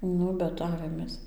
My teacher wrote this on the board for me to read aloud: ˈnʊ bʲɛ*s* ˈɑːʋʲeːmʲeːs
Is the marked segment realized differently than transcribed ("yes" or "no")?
yes